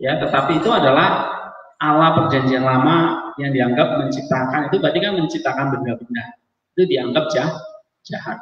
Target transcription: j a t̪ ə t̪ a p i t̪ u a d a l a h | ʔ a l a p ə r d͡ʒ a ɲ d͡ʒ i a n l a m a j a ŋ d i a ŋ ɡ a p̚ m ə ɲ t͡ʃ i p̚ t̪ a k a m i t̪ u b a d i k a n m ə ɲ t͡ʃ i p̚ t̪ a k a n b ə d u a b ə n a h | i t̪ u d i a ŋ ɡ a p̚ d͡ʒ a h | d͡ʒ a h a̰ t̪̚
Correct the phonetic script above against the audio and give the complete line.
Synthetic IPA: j a t̪ ə t̪ a p iː t̪ u a d a l a h | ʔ a l a p ə r d͡ʒ a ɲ d͡ʒ i a n l a m a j a ŋ d i a ŋ ɡ a p̚ m ə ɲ t͡ʃ i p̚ t̪ a k a n i t̪ u b a d i k a n m ə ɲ t͡ʃ i p̚ t̪ a k a n b ə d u a b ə n a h | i t̪ u d i a ŋ ɡ a p̚ d͡ʒ a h | d͡ʒ a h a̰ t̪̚